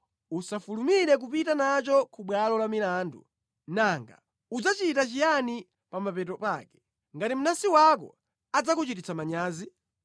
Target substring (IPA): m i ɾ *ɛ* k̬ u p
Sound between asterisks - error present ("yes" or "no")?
no